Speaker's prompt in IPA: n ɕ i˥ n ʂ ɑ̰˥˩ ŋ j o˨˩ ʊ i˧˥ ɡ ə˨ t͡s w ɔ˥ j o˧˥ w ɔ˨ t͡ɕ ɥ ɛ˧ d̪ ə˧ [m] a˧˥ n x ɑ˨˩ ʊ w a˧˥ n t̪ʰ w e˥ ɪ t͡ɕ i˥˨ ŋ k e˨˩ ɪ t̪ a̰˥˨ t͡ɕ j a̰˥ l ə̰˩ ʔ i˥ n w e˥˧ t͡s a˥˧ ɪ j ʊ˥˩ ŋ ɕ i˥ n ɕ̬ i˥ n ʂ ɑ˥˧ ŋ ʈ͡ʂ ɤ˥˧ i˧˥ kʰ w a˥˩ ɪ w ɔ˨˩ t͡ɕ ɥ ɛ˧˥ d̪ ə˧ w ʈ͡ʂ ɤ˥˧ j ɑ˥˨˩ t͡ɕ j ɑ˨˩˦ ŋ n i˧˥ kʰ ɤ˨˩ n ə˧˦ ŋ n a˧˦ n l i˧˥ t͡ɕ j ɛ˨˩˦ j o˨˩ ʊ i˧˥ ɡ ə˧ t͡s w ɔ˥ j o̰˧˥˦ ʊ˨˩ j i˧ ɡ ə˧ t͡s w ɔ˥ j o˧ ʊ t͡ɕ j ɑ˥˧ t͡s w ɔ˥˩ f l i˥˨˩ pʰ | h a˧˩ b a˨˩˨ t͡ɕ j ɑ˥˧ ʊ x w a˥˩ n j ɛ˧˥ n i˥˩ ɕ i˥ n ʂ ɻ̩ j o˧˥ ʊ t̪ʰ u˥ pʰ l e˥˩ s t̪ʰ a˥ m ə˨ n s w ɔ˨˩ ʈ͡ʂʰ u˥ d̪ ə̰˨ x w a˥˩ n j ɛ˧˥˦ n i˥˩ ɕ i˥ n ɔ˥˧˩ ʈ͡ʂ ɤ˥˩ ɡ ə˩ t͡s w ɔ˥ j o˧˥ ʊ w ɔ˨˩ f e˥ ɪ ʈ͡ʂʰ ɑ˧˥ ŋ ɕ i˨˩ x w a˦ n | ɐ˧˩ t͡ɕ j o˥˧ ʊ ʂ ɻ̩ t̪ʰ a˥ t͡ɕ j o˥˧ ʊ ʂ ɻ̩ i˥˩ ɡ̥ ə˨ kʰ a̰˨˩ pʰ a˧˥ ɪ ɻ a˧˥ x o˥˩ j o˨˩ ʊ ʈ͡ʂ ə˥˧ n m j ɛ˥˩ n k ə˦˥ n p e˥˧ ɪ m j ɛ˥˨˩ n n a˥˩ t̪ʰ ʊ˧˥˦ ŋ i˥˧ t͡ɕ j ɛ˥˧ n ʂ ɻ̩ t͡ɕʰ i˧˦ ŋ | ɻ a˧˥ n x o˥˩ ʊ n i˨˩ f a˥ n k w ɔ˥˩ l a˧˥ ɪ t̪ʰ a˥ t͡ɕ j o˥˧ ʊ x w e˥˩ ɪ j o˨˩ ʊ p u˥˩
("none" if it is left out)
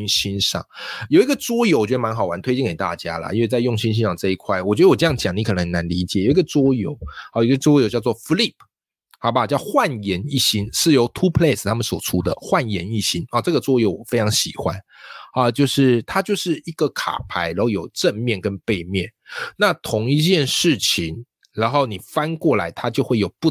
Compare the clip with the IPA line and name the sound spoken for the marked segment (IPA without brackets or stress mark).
m